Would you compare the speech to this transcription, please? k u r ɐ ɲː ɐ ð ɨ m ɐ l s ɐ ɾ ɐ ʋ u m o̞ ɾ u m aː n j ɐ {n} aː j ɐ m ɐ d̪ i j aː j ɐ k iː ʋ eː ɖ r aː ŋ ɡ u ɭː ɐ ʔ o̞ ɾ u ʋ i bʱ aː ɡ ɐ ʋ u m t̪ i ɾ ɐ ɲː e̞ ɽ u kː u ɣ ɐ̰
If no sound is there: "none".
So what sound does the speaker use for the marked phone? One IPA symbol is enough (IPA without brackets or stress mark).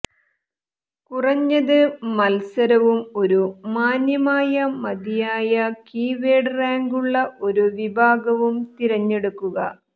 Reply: m